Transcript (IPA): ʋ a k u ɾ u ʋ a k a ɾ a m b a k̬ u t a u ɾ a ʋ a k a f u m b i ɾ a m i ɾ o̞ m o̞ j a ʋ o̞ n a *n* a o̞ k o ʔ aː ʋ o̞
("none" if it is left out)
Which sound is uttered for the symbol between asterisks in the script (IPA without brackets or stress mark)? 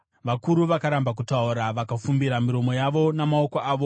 m